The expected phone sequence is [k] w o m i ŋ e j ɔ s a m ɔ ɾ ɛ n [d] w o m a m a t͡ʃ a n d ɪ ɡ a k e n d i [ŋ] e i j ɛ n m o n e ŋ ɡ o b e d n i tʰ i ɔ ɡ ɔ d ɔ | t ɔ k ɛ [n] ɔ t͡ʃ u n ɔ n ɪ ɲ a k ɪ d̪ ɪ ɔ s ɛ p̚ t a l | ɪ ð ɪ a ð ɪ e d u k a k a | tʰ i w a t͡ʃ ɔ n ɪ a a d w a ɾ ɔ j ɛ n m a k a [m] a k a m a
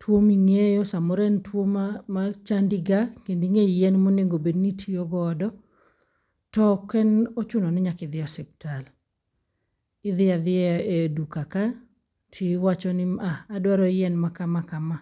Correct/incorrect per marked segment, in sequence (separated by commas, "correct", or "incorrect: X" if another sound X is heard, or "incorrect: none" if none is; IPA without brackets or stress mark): incorrect: t, incorrect: t, correct, correct, correct